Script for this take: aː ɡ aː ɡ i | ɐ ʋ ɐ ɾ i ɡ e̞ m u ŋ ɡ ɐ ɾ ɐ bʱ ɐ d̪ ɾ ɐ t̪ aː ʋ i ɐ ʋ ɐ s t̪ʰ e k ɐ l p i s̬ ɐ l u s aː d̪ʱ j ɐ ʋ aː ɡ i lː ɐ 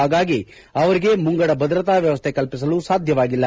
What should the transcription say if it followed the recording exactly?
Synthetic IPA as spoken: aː ɡ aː ɡ i | ɐ ʋ ɐ ɾ i ɡ e̞ m u ŋ ɡ ɐ ɽ ɐ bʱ ɐ d̪ ɾ ɐ t̪ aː ʋ j ɐ ʋ ɐ s t̪ʰ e k ɐ l p i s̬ ɐ l u s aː d̪ʱ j ɐ ʋ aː ɡ i lː ɐ